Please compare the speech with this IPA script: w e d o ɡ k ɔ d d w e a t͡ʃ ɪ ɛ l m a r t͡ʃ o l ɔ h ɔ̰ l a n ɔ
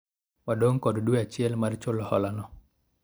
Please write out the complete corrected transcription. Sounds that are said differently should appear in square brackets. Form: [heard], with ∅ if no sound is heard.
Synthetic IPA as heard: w [a] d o [ŋ] k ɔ d d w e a t͡ʃ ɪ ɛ l m a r t͡ʃ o l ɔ h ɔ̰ l a n ɔ